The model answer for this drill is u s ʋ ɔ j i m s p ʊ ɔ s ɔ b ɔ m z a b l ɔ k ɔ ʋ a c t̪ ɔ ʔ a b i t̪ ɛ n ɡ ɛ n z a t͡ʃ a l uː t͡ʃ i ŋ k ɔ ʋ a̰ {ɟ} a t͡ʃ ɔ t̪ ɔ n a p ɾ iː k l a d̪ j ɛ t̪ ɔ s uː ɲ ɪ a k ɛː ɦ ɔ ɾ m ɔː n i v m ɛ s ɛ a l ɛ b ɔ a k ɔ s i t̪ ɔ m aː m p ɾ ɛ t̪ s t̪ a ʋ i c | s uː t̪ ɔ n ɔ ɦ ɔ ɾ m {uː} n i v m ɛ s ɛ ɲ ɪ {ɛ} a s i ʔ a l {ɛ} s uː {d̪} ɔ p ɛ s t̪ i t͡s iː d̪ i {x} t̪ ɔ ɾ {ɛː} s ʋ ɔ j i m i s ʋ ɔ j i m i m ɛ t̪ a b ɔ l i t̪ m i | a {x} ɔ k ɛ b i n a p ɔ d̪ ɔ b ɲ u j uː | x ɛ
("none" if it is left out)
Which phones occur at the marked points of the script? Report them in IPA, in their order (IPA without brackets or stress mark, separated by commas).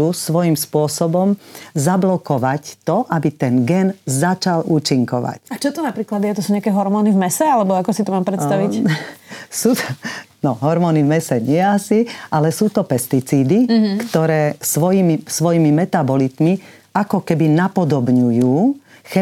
c, ɔː, ɛ, ɛ, t̪, k, ɛː, k